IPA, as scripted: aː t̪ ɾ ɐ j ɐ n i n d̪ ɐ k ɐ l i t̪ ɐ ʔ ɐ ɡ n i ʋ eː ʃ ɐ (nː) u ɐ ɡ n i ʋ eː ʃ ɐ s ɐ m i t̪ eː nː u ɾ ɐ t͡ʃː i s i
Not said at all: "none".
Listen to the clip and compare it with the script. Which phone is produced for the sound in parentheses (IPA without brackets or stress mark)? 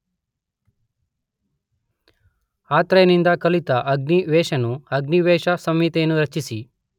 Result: n